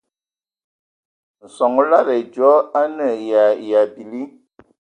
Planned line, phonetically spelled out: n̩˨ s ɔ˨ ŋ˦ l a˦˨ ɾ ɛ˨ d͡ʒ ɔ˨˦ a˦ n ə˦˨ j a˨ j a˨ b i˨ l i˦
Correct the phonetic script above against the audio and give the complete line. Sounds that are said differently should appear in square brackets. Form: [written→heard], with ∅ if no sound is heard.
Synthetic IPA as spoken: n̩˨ s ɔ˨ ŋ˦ l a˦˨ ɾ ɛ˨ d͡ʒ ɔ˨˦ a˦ n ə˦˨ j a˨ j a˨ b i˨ l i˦